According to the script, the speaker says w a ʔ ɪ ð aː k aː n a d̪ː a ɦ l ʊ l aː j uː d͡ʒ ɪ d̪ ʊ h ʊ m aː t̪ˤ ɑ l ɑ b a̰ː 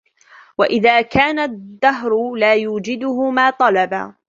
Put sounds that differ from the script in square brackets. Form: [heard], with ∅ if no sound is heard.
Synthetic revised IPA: w a ʔ ɪ ð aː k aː n a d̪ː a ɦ [ɾ] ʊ l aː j uː d͡ʒ ɪ d̪ ʊ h ʊ m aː t̪ˤ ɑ l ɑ b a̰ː